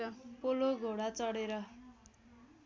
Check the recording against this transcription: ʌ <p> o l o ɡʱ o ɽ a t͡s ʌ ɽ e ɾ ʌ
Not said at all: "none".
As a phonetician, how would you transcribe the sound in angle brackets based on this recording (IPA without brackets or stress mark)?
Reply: p